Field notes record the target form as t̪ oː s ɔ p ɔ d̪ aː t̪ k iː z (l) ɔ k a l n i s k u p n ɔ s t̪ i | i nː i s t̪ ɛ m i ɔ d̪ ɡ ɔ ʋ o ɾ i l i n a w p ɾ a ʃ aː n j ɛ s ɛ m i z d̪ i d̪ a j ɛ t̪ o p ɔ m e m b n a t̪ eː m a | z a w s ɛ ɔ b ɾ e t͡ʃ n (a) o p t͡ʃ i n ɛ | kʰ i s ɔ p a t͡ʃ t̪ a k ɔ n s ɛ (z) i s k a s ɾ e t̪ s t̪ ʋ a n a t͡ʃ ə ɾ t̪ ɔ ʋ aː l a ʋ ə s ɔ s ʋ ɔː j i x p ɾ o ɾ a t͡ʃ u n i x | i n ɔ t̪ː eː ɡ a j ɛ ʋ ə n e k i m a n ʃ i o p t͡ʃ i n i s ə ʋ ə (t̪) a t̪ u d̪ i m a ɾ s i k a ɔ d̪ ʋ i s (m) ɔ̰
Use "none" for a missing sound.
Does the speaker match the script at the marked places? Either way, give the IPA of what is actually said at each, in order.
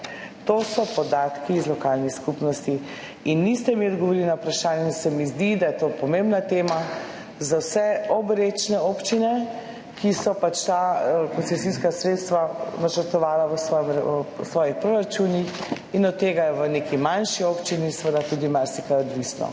l, ɛ, s, d̪, n

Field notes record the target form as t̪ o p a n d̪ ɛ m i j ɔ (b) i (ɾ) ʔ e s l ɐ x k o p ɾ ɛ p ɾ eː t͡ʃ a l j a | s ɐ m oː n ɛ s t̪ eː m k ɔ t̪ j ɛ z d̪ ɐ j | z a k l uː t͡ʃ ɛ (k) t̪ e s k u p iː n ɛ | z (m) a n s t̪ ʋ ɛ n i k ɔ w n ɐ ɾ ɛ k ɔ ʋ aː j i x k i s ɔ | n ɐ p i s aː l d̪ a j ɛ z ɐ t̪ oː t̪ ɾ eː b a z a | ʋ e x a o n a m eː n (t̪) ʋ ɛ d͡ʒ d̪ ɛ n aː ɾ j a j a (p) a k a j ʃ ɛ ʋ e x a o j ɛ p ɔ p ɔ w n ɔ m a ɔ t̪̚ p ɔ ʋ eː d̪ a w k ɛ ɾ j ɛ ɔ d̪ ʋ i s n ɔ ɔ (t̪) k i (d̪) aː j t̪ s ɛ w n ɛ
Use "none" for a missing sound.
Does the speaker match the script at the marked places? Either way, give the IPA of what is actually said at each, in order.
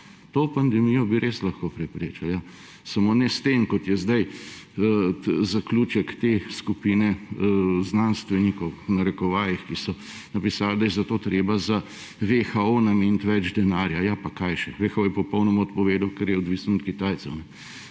b, ɾ, k, n, t̪, p, t̪, t̪

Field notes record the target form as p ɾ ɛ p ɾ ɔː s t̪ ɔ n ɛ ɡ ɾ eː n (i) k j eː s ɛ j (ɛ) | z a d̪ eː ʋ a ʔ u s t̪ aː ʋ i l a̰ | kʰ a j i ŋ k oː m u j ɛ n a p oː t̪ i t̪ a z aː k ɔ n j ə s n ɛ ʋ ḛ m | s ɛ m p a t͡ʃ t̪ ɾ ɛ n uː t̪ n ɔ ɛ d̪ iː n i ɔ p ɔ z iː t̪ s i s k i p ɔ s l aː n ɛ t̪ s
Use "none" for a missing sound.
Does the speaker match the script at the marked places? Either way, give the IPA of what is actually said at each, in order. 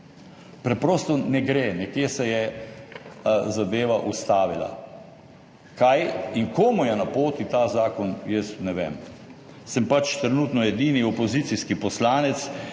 ɛ, ɛ

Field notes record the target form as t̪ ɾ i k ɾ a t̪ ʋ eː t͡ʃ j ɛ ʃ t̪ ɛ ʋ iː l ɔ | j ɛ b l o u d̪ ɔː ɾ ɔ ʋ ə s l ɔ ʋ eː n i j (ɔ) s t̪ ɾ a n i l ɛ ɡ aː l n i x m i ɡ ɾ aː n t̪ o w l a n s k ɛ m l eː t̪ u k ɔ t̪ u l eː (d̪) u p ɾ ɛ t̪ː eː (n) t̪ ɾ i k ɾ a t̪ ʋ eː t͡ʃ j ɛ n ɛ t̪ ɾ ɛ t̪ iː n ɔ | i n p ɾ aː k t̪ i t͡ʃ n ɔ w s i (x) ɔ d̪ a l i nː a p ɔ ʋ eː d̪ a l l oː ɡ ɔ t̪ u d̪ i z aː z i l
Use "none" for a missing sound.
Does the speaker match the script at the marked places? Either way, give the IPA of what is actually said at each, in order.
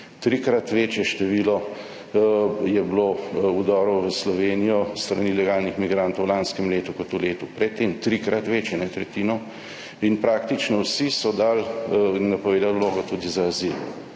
ɔ, t̪, m, s

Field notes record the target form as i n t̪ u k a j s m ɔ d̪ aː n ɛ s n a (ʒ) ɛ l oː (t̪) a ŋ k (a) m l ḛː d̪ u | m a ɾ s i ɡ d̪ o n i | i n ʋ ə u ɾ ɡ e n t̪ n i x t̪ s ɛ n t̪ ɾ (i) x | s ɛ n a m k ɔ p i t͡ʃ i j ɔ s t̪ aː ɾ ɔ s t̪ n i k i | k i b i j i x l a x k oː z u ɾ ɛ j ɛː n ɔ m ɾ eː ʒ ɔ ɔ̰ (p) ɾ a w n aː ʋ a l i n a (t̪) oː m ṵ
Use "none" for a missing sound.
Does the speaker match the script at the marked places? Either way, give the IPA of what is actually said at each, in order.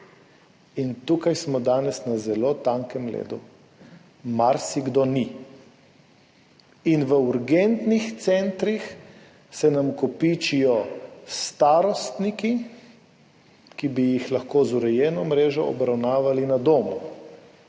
z, t̪, ɛ, i, b, d̪

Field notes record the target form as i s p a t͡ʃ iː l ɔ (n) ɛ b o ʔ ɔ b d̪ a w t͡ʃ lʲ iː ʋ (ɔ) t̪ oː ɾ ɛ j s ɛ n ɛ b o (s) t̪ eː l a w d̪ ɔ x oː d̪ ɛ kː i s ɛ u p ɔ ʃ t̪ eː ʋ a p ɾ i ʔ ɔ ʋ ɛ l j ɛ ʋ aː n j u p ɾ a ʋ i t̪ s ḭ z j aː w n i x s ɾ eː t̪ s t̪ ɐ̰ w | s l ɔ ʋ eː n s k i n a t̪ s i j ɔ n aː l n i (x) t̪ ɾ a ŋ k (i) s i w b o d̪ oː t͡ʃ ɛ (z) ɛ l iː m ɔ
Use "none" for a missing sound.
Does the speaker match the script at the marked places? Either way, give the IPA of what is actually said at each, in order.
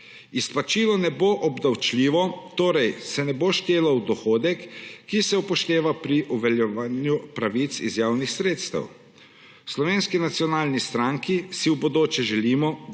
n, ɔ, ʃ, s, i, ʒ

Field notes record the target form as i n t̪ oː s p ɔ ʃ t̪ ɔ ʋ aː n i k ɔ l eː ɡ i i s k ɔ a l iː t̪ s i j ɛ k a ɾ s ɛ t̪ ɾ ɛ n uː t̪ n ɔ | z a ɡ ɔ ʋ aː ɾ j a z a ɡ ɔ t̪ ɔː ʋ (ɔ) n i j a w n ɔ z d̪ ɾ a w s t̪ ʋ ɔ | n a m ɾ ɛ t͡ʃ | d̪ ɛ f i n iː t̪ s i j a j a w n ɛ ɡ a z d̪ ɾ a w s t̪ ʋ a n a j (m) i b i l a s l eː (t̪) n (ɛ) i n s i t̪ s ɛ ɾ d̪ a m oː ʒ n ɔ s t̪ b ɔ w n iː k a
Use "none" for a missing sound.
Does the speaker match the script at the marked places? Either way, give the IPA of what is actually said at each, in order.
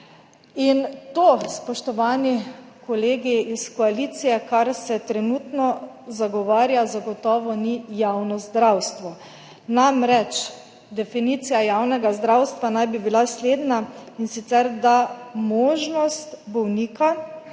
ɔ, b, d̪, a

